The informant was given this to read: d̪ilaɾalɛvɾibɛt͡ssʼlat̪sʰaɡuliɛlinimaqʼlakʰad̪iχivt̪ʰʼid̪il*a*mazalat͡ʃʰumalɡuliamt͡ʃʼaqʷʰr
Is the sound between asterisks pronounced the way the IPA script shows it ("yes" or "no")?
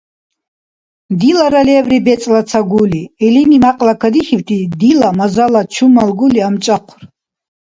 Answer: yes